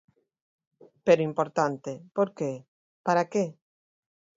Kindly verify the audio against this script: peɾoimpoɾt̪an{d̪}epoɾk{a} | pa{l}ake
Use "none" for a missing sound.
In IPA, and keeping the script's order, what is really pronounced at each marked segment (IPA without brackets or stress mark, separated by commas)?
t̪, e, ɾ